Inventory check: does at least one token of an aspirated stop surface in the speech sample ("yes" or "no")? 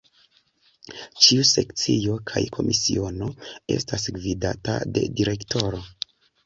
yes